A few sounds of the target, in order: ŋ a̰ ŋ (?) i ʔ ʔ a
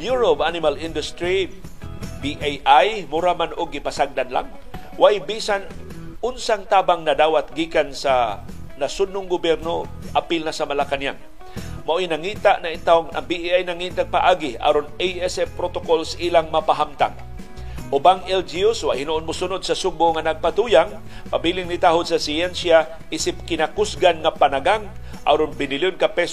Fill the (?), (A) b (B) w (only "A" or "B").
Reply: A